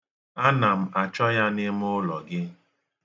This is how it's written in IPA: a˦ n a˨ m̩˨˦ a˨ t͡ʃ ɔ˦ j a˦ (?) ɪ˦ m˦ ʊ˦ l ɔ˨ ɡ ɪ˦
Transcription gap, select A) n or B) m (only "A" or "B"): A